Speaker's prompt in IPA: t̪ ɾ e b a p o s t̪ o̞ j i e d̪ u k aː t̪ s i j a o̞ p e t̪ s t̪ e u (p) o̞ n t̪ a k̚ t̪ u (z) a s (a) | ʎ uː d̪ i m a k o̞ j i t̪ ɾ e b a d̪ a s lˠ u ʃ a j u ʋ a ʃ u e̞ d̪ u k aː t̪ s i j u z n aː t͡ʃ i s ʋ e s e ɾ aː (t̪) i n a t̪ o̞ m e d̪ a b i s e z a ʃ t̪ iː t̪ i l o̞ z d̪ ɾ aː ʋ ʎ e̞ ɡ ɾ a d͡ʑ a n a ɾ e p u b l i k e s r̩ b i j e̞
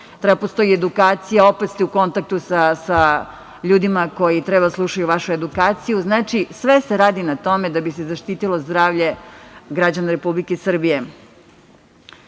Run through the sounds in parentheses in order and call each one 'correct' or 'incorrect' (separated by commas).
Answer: incorrect, incorrect, correct, incorrect